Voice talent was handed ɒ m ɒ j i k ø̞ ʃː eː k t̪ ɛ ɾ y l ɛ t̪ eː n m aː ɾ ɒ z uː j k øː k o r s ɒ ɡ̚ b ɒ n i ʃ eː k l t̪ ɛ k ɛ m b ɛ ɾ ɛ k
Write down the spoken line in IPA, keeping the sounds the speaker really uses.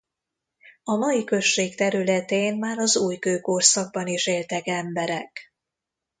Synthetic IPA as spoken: ɒ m ɒ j i k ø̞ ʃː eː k t̪ ɛ ɾ y l ɛ t̪ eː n m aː ɾ ɒ z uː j k øː k o r s ɒ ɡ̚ b ɒ n i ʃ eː l t̪ ɛ k ɛ m b ɛ ɾ ɛ k